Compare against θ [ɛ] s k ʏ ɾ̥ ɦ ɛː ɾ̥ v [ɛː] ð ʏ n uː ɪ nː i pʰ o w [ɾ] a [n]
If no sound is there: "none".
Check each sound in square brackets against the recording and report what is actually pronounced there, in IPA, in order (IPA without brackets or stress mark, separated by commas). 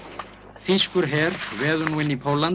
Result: i, ɛː, l, n